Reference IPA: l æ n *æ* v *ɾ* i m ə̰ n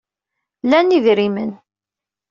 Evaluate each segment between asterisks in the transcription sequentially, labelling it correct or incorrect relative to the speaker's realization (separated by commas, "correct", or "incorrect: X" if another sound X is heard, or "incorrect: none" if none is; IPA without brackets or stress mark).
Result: incorrect: i, correct